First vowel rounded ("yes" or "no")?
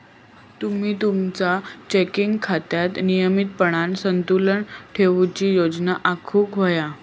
yes